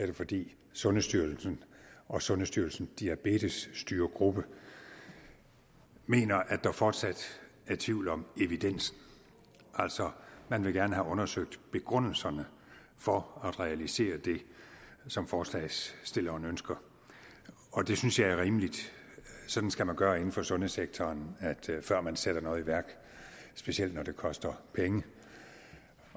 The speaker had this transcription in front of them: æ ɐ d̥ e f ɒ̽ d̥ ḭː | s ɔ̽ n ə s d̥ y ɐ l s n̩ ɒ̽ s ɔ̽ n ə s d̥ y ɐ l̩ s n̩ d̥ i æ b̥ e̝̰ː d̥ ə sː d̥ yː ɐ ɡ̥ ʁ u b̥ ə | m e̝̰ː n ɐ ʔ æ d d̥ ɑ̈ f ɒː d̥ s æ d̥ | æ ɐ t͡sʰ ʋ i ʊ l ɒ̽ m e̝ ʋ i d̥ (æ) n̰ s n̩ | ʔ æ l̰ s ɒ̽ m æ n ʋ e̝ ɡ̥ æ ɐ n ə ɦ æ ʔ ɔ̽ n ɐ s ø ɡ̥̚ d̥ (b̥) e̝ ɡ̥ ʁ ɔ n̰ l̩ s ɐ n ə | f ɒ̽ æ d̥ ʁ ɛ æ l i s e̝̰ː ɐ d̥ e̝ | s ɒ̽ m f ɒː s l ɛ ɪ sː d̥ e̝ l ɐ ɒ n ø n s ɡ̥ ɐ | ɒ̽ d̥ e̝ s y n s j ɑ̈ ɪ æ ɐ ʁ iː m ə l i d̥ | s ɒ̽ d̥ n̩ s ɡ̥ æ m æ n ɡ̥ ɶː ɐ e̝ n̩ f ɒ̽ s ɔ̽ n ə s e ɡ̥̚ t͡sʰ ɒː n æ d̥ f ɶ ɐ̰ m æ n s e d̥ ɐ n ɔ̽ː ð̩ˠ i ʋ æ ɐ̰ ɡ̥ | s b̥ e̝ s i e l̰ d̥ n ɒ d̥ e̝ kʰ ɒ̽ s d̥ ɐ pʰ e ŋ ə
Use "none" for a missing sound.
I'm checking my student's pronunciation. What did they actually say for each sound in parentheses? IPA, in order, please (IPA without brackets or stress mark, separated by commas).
e, b̥